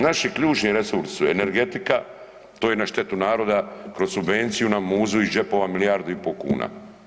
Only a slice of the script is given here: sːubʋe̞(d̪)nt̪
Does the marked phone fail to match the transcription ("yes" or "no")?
yes